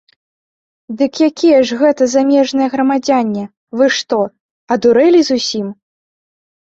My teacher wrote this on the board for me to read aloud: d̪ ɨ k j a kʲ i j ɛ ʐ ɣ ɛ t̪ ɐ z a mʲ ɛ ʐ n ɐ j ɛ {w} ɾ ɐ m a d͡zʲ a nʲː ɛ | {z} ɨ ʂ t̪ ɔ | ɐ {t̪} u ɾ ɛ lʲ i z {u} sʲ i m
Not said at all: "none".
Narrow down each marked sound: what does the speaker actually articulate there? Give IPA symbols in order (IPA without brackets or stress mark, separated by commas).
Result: ɣ, v, d̪, u